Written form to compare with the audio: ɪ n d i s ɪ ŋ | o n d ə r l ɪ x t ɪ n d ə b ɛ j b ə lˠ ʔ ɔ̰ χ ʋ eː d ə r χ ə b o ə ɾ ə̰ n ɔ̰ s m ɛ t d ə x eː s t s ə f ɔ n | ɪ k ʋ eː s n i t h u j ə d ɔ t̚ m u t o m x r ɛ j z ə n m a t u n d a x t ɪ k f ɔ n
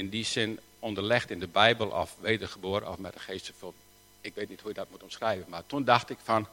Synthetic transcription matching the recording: ɪ n d i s ɪ n | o n d ə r l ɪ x t ɪ n d ə b ɛ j b ə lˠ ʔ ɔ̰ f ʋ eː d ə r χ ə b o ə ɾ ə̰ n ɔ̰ f m ɛ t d ə x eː s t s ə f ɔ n | ɪ k ʋ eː t n i t h u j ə d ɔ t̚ m u t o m s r ɛ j v ə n m a t u n d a x t ɪ k f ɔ n